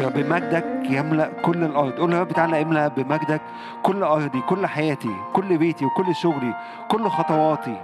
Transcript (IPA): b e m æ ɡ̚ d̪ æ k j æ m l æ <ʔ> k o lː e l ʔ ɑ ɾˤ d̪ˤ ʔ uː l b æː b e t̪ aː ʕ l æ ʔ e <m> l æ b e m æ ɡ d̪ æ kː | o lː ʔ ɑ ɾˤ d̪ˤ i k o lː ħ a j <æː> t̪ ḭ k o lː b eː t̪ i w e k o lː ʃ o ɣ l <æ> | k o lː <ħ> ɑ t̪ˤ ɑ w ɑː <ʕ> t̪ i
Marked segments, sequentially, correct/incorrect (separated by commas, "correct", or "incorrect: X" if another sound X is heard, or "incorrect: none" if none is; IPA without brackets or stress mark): correct, correct, correct, incorrect: i, incorrect: x, incorrect: none